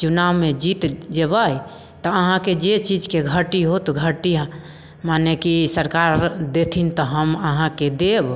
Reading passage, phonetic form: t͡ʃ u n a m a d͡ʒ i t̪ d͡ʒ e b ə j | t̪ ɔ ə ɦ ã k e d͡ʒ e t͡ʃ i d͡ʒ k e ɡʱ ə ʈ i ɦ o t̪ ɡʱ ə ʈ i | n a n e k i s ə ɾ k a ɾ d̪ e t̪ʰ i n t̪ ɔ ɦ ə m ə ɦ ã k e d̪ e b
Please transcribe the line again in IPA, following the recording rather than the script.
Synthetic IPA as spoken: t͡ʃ u n a m e d͡ʒ i t̪ d͡ʒ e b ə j | t̪ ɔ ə ɦ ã k e d͡ʒ e t͡ʃ i d͡ʒ k e ɡʱ ə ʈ i ɦ o t̪ ɡʱ ə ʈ i | m a n e k i s ə ɾ k a ɾ d̪ e t̪ʰ i n t̪ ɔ ɦ ə m ə ɦ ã k e d̪ e b